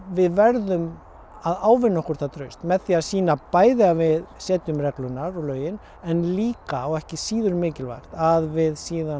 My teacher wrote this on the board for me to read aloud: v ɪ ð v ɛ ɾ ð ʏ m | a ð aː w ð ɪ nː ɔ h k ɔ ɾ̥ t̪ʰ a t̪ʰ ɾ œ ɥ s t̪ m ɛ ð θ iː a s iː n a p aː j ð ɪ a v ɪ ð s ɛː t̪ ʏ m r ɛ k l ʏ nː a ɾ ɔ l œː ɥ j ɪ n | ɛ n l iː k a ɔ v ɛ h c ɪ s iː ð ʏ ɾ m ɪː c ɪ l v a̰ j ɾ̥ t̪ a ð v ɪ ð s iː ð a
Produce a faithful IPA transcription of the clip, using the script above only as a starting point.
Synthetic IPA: v ɪ ð v ɛ ɾ ð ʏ m | a ð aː w v ɪ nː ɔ h k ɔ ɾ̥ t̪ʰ a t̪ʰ ɾ œ ɥ s t̪ m ɛ ð θ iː a s iː n a p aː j ð ɪ a v ɪ ð s ɛː t̪ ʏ m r ɛ k l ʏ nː a ɾ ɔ l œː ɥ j ɪ n | ɛ n l iː k a ɔ ɣ ɛ h c ɪ s iː ð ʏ ɾ m ɪː c ɪ l v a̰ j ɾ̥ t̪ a ð v ɪ ð s iː ð a